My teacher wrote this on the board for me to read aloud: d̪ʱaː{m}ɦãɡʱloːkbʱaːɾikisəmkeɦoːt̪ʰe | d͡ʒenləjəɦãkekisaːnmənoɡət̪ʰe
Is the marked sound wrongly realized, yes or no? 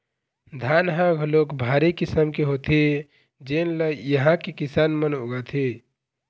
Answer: yes